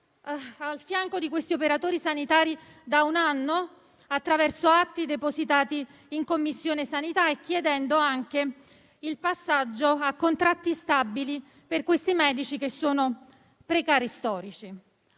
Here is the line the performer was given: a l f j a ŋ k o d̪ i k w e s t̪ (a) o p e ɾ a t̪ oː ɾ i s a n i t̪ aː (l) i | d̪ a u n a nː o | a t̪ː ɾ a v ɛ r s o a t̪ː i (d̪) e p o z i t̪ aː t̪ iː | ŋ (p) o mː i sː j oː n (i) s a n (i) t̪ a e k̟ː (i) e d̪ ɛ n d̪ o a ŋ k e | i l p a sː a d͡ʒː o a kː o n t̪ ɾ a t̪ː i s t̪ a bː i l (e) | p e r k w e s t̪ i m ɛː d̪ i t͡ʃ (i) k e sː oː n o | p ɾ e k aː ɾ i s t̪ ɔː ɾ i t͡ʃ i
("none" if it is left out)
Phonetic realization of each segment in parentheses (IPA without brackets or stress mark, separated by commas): i, ɾ, d̪, k, e, i, j, i, i